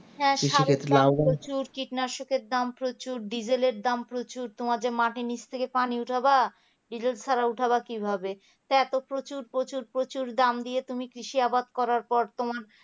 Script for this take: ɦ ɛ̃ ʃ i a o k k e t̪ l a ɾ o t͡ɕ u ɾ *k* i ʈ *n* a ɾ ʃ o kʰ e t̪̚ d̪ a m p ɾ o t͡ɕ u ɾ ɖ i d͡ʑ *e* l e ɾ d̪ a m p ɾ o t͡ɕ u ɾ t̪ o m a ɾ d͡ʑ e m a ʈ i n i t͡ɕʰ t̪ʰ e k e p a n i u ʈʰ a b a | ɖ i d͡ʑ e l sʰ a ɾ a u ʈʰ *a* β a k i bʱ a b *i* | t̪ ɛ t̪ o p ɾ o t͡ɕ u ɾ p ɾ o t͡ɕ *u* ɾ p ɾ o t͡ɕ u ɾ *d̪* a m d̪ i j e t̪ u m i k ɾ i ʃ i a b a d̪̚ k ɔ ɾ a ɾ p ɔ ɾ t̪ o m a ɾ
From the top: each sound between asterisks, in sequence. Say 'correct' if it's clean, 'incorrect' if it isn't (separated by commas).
correct, correct, correct, correct, incorrect, correct, correct